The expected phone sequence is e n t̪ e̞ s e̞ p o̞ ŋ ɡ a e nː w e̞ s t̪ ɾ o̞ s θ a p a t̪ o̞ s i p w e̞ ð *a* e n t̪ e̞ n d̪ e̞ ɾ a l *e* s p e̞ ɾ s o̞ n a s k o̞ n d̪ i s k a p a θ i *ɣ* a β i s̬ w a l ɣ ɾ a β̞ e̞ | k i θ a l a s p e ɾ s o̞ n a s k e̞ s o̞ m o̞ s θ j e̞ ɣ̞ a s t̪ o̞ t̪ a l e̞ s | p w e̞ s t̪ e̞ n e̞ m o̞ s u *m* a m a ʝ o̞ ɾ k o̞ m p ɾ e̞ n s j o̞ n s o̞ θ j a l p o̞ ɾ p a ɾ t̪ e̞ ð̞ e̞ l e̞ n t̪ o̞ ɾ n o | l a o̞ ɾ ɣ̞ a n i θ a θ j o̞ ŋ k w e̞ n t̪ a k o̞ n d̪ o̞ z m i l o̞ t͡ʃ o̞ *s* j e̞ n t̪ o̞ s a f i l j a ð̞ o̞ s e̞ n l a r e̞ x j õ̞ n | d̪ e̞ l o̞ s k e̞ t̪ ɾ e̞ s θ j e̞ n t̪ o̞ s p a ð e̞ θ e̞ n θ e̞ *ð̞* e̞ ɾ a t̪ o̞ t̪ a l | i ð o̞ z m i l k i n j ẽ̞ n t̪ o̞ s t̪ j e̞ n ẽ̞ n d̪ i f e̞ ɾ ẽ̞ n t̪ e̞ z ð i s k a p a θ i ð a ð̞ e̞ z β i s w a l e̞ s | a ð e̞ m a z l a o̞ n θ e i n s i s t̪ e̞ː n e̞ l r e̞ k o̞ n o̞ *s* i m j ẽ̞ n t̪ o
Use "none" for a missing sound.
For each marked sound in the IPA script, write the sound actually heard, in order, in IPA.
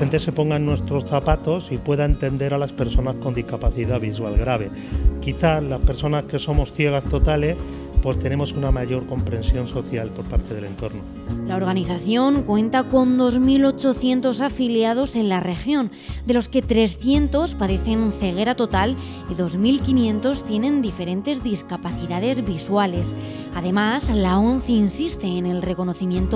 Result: a, a, ð, n, θ, ɣ̞, θ

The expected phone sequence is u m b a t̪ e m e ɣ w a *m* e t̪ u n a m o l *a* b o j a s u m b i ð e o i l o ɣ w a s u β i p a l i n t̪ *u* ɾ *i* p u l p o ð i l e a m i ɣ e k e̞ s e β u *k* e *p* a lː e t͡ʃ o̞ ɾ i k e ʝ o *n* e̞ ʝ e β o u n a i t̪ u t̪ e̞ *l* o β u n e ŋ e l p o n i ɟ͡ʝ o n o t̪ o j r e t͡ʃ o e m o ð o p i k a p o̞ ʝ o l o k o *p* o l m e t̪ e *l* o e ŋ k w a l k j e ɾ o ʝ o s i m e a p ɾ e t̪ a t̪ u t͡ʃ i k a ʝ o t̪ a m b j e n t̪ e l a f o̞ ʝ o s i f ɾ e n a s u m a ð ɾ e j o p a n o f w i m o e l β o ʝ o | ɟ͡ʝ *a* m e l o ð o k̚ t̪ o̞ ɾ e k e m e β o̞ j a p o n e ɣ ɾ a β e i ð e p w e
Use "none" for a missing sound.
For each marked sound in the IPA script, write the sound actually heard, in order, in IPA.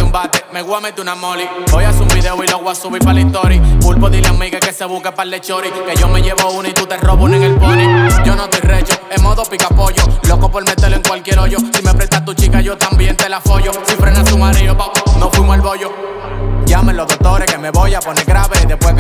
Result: m, i, o, i, k, p, m, r, p, l, a

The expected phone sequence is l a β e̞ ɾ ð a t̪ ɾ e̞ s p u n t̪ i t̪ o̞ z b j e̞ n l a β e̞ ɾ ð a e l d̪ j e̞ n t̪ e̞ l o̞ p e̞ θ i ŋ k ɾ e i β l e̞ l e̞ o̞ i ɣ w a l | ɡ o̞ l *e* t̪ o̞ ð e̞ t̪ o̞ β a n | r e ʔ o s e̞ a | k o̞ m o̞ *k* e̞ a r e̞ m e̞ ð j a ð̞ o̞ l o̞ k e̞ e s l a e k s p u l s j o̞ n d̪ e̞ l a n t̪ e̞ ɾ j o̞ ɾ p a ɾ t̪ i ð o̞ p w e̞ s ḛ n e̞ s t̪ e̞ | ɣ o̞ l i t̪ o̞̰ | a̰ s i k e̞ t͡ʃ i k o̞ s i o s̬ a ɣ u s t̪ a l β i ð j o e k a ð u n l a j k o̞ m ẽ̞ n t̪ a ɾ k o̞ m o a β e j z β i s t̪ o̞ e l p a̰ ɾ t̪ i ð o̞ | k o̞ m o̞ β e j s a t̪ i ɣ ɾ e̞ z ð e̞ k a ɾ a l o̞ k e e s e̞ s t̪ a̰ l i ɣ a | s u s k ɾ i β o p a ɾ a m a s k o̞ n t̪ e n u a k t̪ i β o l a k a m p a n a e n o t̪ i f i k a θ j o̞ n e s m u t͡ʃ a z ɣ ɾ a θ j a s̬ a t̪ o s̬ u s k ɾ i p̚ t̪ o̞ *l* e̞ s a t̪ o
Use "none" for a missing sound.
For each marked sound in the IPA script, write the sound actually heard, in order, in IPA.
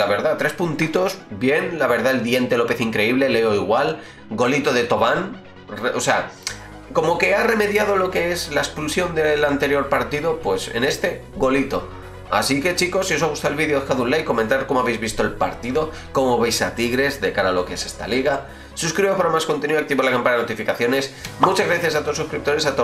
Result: i, k, ɾ

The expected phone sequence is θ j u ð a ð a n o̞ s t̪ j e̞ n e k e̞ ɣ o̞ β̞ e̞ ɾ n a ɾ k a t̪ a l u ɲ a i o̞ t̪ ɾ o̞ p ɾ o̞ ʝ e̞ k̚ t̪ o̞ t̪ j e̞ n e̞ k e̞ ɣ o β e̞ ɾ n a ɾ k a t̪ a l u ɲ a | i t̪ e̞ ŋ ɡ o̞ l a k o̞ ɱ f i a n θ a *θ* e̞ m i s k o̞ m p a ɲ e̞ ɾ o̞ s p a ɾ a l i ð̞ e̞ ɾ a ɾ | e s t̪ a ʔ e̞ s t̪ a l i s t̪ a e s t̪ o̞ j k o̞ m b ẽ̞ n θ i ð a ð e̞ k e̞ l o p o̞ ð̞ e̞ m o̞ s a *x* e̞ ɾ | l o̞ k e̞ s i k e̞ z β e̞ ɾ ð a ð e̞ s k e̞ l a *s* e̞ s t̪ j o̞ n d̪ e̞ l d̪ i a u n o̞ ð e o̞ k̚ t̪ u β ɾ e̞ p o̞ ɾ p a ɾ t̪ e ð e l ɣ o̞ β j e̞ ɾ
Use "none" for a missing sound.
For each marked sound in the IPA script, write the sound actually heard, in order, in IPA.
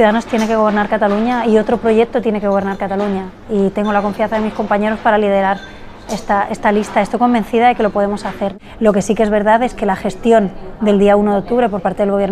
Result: ð, θ, x

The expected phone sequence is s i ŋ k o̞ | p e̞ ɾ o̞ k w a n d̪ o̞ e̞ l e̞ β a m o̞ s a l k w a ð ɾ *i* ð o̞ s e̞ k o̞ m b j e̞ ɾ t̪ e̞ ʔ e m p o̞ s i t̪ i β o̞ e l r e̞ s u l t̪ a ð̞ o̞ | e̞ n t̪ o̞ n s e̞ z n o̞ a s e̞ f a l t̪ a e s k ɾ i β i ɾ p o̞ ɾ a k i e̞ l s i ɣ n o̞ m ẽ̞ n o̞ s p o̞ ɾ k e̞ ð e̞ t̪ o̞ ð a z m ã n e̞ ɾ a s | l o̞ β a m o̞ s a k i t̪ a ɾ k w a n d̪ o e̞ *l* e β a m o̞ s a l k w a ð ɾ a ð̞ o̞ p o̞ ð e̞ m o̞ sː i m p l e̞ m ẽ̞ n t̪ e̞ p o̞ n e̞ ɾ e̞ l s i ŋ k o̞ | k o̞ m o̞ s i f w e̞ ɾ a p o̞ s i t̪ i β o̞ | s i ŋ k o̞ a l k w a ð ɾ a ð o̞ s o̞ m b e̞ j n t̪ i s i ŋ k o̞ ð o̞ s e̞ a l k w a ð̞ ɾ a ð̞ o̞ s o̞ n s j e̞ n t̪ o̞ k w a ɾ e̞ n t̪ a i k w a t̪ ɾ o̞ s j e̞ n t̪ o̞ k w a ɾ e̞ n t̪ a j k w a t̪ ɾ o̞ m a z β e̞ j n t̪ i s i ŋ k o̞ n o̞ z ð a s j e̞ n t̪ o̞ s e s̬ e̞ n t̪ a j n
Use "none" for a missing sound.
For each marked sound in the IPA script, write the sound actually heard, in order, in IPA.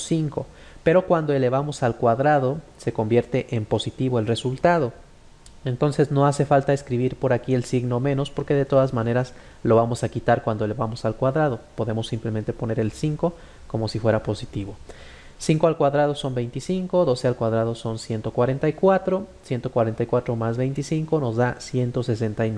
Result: a, l

